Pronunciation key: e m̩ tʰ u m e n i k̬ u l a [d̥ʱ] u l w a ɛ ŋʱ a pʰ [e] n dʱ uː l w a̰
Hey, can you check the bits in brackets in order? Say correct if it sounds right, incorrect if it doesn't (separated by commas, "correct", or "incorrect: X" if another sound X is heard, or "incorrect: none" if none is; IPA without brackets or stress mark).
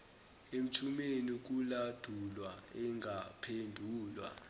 correct, correct